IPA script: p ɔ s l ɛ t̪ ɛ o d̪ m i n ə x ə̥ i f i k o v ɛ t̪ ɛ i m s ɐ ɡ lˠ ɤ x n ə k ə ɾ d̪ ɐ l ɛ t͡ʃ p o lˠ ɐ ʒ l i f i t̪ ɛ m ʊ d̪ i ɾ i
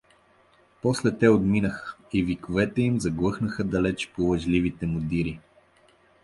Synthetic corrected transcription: p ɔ s l ɛ t̪ ɛ o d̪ m i n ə x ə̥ i v i k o v ɛ t̪ ɛ i m z ɐ ɡ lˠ ɤ x n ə x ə d̪ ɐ l ɛ t͡ʃ p o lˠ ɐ ʒ l i v i t̪ ɛ m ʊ d̪ i ɾ i